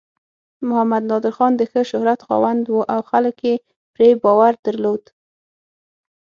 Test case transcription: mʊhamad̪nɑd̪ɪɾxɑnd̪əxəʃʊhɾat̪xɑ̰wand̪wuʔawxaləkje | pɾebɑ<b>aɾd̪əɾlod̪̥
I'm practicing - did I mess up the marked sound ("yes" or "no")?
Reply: yes